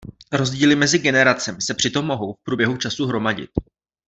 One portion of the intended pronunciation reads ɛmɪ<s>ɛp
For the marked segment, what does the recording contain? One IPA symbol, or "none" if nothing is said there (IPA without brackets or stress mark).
s